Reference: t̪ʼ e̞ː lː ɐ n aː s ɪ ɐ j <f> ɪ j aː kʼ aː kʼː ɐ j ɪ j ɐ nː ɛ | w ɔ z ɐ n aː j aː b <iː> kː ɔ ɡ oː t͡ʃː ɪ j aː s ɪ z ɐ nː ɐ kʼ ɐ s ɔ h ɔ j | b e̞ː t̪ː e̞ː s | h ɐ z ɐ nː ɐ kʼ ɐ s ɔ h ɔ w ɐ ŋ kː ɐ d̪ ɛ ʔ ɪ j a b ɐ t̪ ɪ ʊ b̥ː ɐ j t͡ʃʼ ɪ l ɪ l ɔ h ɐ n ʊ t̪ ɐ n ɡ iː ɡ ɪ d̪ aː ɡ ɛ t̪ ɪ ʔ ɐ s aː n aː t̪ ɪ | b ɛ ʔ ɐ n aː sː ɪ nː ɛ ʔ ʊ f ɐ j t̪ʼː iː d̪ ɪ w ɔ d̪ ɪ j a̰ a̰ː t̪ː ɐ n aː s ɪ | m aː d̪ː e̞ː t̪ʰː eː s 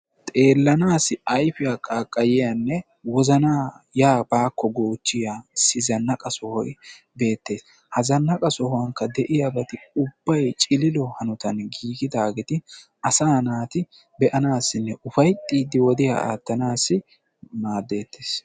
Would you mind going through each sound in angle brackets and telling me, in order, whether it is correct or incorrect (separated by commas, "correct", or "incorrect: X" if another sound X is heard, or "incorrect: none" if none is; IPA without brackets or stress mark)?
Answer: correct, incorrect: aː